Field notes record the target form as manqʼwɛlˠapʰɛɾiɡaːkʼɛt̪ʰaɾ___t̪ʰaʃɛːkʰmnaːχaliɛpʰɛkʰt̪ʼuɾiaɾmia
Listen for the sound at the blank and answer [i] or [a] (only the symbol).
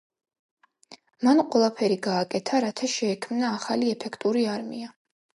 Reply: a